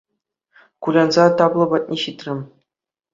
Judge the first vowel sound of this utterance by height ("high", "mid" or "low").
high